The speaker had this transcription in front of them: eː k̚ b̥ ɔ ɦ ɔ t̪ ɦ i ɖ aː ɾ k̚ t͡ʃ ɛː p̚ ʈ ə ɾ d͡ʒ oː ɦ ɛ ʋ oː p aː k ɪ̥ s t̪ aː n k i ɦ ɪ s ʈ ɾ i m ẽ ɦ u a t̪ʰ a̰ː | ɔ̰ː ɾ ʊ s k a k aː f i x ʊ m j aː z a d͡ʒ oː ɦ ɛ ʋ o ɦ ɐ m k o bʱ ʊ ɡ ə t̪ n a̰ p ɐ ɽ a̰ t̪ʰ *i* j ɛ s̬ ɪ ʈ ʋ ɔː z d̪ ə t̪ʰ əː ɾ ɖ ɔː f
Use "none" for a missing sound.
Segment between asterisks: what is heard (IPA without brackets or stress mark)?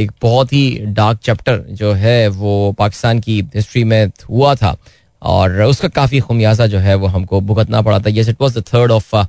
a